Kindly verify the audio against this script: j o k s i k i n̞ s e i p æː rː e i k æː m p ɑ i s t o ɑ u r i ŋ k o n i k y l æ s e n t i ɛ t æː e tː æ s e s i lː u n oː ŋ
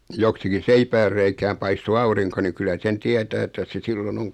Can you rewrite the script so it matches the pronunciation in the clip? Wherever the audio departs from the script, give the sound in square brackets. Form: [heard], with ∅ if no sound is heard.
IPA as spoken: j o k s i k i n̞ s e i p æː rː e i k æː m p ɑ i s t o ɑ u r i ŋ k o n i k y l æ s e n t i ɛ t æː e tː æ s e s i lː [o] n [o] ŋ